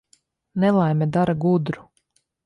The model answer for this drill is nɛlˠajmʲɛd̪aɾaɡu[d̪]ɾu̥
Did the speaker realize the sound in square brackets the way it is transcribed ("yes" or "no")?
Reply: yes